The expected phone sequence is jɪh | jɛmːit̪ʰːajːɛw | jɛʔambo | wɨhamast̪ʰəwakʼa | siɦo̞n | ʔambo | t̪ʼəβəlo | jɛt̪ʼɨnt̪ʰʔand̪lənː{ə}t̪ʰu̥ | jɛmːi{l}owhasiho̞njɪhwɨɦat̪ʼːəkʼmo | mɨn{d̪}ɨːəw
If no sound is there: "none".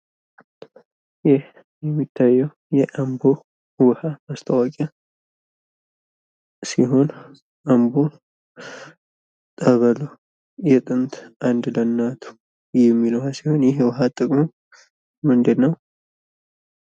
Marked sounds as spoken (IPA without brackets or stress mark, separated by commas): a, l, d̪